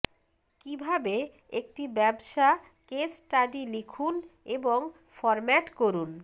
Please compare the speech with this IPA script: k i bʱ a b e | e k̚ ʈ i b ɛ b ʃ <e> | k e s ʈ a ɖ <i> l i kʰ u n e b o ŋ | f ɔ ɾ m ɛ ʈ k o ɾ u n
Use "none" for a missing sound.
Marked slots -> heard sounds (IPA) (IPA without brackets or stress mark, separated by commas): a, i